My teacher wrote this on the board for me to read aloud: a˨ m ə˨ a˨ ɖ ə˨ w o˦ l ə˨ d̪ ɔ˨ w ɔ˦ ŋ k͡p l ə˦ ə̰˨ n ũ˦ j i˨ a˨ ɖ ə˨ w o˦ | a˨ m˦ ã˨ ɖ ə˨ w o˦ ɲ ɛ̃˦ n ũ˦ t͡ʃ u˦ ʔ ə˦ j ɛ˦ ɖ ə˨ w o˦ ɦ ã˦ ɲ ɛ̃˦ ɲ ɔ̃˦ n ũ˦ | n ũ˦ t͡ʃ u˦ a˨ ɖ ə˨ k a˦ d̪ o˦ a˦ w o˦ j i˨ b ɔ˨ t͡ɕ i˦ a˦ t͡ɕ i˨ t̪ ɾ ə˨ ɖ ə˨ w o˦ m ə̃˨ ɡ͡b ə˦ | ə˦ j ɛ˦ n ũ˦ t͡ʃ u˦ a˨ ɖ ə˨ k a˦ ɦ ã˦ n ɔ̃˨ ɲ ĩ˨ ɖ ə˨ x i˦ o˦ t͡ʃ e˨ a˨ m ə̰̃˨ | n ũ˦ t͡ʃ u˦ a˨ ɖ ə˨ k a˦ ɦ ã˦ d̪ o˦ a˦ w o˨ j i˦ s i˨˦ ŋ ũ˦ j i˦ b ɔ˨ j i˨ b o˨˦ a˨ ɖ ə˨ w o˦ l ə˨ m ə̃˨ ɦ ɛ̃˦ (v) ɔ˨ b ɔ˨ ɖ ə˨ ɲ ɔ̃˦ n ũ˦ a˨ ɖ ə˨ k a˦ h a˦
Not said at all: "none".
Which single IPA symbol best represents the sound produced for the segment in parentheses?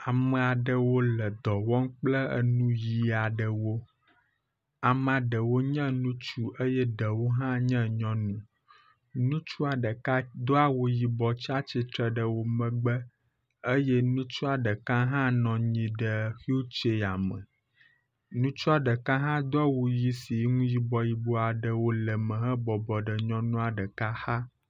b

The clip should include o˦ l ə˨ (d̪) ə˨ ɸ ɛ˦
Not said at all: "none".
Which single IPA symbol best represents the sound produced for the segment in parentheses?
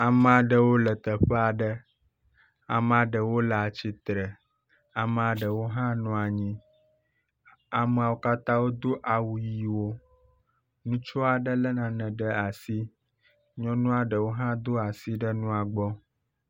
t̪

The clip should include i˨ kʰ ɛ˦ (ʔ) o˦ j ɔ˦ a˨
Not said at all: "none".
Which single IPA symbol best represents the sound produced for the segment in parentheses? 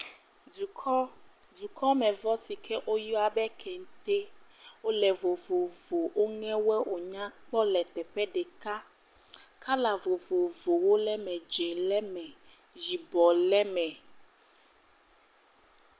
ʔ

